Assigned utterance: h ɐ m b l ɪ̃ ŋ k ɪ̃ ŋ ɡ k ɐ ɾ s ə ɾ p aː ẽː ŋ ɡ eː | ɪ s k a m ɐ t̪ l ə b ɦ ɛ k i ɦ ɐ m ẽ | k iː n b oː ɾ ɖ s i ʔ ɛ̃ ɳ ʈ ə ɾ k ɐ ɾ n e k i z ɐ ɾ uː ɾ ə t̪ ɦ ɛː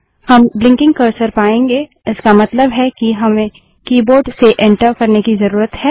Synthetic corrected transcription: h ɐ m b l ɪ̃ ŋ k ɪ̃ ŋ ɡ k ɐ ɾ s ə ɾ p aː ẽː ŋ ɡ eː | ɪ s k a m ɐ t̪ l ə b ɦ ɛ k i ɦ ɐ m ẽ | k iː b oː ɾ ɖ s e ʔ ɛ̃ ɳ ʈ ə ɾ k ɐ ɾ n e k i z ɐ ɾ uː ɾ ə t̪ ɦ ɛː